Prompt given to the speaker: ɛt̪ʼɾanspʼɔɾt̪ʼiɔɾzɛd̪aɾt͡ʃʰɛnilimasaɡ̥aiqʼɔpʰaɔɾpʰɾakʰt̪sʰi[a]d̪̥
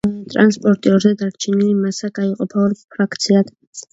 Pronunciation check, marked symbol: correct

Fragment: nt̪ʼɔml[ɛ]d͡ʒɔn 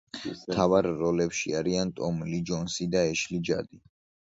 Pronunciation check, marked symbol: incorrect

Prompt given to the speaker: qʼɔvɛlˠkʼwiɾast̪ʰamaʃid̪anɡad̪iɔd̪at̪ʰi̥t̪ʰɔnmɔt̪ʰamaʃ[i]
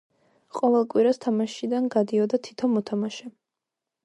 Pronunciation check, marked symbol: incorrect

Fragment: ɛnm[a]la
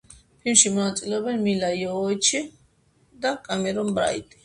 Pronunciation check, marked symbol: incorrect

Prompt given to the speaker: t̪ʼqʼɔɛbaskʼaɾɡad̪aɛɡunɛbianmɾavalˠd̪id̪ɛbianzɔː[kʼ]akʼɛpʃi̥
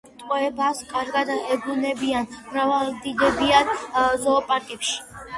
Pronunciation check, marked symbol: incorrect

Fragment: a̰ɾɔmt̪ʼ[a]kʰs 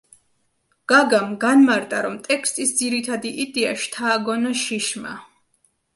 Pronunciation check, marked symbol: incorrect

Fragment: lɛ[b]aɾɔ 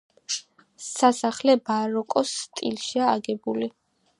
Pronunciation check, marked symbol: correct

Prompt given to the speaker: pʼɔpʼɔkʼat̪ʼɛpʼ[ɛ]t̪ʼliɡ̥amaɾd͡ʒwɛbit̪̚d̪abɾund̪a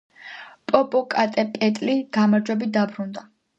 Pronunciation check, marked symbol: correct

